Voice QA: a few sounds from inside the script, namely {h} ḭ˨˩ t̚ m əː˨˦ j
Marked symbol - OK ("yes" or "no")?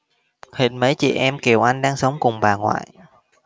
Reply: yes